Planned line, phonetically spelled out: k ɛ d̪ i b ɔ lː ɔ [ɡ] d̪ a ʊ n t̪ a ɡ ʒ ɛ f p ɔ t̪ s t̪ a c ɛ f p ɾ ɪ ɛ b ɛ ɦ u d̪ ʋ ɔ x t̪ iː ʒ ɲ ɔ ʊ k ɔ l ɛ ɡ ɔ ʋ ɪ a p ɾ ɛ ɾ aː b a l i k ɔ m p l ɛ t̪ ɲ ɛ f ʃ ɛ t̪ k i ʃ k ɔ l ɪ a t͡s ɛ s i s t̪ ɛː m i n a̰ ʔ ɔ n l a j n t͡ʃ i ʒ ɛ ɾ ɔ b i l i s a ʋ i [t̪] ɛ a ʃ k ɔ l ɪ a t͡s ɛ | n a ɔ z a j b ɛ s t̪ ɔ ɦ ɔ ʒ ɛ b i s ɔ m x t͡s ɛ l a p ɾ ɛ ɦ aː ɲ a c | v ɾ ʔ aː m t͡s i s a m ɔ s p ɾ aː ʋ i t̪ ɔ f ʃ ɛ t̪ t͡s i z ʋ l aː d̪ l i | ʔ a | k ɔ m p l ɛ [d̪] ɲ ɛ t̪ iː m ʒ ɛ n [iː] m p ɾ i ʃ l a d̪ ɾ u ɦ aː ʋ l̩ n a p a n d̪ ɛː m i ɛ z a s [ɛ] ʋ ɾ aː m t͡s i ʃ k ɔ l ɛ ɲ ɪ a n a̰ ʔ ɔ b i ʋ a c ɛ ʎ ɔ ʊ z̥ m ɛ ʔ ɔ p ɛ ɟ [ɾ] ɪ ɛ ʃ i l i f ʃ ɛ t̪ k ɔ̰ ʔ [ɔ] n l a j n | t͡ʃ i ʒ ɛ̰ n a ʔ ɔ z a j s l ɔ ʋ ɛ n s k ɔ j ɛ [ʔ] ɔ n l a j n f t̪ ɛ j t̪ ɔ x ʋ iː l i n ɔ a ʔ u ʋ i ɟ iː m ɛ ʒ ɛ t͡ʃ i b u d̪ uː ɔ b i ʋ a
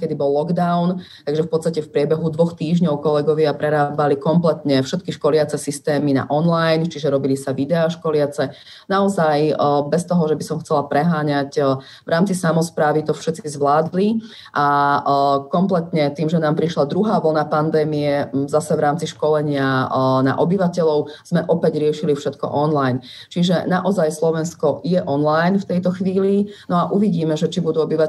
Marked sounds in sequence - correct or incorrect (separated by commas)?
correct, incorrect, incorrect, incorrect, correct, correct, correct, correct